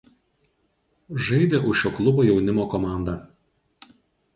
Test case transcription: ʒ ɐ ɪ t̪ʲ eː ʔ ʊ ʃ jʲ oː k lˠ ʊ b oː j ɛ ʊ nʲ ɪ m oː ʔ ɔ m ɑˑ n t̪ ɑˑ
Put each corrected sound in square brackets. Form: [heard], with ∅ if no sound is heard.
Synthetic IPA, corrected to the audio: ʒ ɐ ɪ [d̪ʲ] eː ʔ ʊ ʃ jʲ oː k lˠ ʊ b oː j ɛ ʊ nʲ ɪ m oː [k] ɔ m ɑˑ n [d̪] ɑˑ